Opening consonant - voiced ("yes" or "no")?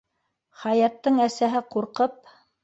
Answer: no